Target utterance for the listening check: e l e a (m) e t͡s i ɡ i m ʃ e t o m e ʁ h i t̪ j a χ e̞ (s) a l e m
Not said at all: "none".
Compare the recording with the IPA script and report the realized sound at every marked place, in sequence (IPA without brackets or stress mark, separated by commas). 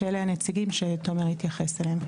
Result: n, s